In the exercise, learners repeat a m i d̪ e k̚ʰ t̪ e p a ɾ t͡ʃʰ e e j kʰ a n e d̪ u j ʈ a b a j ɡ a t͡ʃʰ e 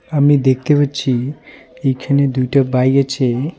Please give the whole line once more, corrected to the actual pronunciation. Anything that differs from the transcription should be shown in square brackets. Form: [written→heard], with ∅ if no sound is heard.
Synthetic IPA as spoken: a m i d̪ e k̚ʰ t̪ e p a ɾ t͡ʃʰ [e→i] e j kʰ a n e d̪ u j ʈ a b a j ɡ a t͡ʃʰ e